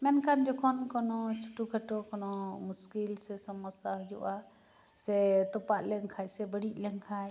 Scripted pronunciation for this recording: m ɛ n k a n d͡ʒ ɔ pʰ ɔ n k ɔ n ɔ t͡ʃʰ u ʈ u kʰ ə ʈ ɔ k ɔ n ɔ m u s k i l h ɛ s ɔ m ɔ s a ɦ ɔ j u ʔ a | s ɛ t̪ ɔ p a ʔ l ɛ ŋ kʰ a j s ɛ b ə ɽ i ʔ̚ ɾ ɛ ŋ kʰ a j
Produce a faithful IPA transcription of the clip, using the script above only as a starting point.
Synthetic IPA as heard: m ɛ n k a n d͡ʒ ɔ kʰ ɔ n k ɔ n ɔ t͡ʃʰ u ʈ u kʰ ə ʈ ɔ k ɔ n ɔ m u s k i l s ɛ s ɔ m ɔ s a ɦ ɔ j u ʔ a | s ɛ t̪ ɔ p a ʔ l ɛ ŋ kʰ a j s ɛ b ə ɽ i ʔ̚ l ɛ ŋ kʰ a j